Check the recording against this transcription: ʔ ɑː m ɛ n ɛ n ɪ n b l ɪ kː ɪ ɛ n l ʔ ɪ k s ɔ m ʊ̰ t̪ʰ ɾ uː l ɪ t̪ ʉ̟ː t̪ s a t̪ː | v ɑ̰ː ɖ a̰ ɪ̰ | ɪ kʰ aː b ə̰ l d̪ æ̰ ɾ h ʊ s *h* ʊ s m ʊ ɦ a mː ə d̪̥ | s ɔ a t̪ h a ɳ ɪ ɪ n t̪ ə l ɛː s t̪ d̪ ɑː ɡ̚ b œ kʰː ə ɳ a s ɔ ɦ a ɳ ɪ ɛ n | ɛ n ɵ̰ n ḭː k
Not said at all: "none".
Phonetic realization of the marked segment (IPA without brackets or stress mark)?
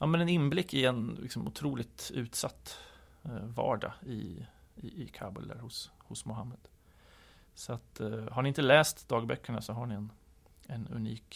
h